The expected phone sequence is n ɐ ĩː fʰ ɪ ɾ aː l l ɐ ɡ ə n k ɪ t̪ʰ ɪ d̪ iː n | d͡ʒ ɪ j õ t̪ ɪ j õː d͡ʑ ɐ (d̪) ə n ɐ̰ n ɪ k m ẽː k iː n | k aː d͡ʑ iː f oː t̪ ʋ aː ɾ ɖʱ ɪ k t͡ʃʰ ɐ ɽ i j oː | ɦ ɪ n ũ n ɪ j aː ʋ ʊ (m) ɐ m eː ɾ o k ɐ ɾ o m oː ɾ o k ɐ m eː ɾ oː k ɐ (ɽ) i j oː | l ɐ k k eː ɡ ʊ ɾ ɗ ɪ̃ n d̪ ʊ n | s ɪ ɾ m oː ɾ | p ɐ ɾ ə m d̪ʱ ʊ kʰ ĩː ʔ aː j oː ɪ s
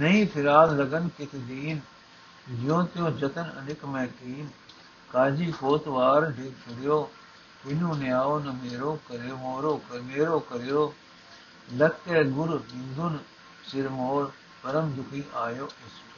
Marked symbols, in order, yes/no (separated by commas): no, no, no